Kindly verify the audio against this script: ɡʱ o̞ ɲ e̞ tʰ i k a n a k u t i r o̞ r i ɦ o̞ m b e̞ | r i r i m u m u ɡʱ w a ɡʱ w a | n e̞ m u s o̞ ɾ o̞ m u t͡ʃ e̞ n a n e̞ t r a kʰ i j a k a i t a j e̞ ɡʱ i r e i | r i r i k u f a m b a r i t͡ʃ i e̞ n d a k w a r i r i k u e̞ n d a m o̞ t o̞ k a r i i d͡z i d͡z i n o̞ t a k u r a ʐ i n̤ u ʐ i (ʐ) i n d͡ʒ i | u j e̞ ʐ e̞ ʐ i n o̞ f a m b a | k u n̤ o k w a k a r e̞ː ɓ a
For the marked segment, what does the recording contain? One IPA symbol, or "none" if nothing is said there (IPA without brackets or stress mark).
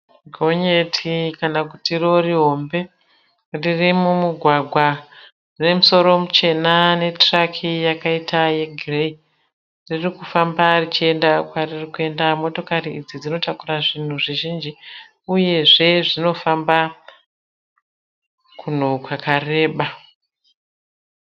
ʒ